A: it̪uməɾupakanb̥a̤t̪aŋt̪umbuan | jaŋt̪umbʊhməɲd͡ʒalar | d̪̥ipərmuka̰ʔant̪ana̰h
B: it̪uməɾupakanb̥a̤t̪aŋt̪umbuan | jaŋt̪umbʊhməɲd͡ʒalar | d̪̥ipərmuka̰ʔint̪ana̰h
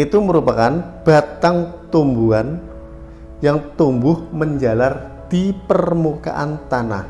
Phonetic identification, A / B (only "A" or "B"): A